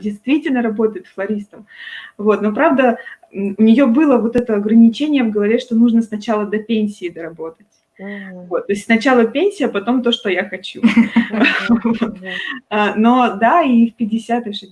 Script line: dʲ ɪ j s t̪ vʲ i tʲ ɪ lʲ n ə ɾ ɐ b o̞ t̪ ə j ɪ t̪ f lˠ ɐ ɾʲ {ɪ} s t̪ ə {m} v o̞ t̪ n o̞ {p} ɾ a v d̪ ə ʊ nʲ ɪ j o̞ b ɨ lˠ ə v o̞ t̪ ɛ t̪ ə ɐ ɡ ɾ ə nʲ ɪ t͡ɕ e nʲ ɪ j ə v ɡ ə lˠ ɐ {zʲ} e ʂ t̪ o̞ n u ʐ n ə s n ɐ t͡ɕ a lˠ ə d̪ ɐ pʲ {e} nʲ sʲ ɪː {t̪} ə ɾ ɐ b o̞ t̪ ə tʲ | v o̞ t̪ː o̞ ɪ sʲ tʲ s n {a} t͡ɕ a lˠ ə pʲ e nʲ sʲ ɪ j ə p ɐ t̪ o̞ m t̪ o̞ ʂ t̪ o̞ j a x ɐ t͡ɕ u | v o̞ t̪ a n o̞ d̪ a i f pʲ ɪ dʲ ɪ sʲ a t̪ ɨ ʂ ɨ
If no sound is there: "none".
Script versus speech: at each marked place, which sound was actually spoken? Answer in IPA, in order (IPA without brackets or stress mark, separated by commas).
i, m, p, vʲ, e, d̪, ɐ